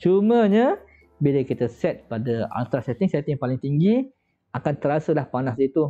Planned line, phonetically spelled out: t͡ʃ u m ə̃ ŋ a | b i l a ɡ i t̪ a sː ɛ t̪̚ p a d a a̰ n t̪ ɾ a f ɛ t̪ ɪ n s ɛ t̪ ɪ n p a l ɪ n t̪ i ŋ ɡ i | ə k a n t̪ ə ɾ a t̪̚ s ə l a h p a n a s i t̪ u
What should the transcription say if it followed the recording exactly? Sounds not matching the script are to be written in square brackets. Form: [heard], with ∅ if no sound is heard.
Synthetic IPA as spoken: t͡ʃ u m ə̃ [ɲ] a | b i l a [k] i t̪ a [s] ɛ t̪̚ p a d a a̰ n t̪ ɾ a [s] ɛ t̪ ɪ [ŋ] s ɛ t̪ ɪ [ŋ] p a l ɪ [ŋ] t̪ i ŋ ɡ i | [a] k a n t̪ ə ɾ a [∅] s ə l a h p a n a s i t̪ u

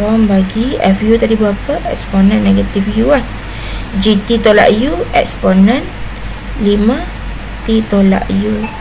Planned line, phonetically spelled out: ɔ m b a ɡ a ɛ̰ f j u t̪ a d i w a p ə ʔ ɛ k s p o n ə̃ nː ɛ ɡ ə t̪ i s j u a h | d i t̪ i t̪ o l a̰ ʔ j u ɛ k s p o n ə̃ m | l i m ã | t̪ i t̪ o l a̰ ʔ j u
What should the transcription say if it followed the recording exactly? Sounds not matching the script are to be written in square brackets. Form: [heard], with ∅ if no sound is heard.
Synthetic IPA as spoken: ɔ m b a ɡ [i] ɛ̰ f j u t̪ a d i [b] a p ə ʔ ɛ k s p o n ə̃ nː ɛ ɡ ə t̪ i [f] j u a h | [d͡ʒ] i t̪ i t̪ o l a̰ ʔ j u ɛ k s p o n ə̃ [n] | l i m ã | t̪ i t̪ o l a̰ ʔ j u

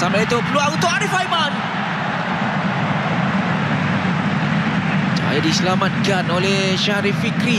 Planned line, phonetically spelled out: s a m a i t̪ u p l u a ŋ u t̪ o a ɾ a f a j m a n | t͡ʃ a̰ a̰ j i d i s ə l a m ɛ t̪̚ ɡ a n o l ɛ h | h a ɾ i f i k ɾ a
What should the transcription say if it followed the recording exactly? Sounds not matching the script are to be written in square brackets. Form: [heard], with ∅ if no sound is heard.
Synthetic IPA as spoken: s a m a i t̪ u p l u a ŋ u t̪ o a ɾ [i] f a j m a n | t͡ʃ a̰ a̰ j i d i s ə l a m [a] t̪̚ ɡ a n o l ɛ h | [ʃ] a ɾ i f i k ɾ [i]

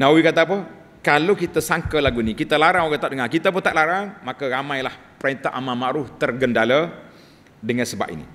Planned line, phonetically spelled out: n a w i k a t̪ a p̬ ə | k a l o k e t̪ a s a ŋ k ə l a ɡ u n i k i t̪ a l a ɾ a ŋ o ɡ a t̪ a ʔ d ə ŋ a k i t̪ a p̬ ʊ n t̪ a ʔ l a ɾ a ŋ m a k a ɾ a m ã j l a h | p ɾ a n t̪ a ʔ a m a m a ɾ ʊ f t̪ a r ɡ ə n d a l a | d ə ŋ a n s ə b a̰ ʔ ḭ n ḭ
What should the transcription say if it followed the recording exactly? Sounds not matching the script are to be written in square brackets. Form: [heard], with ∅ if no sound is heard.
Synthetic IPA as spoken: n a w i k a t̪ a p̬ ə | k a l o k [i] t̪ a s a ŋ k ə l a ɡ u n i k i t̪ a l a ɾ a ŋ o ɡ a t̪ a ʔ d ə ŋ a k i t̪ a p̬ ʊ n t̪ a ʔ l a ɾ a ŋ m a k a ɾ a m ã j l a h | p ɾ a n t̪ a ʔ a m a m a ɾ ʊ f t̪ [ə] r ɡ ə n d a l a | d ə ŋ a n s ə b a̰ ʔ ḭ n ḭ

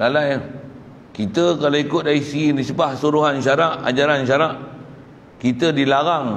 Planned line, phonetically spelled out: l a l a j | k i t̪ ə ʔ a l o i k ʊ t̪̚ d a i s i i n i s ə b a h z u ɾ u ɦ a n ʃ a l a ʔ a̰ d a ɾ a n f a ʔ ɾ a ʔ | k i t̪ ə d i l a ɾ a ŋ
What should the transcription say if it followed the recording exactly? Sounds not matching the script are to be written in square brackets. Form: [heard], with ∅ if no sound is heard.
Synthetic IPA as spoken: l a l a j | k i t̪ ə [k] a l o i k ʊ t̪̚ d a i s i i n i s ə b a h [s] u ɾ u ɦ a n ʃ a [ɾ] a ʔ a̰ [d͡ʒ] a ɾ a n [ʃ] a [∅] ɾ a ʔ | k i t̪ ə d i l a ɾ a ŋ

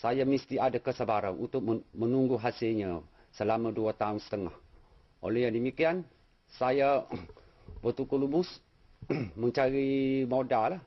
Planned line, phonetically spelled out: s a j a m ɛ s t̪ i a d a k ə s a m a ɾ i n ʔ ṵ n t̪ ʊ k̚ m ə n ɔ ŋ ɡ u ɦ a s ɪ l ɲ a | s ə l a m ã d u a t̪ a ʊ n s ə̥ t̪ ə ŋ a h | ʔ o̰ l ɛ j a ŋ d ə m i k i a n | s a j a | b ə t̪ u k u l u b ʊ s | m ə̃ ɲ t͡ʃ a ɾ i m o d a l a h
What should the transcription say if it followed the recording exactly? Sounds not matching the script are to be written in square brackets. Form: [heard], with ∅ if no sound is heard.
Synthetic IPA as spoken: s a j a m [i] s t̪ i a d a k ə s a [b] a ɾ [a] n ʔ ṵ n t̪ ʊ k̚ m ə n [u] ŋ ɡ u ɦ a s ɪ l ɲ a | s ə l a m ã d u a t̪ a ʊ n s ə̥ t̪ ə ŋ a h | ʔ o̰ l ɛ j a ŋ d ə m i k i a n | s a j a | b ə t̪ u k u l u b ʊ s | m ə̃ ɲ t͡ʃ a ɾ i m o d a l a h

